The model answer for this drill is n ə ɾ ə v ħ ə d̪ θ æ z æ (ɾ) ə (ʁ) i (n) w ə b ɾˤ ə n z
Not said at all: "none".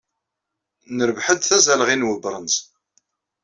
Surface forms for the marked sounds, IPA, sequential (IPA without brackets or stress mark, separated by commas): l, ʁ, n